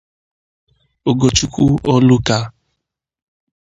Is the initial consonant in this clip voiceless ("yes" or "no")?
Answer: no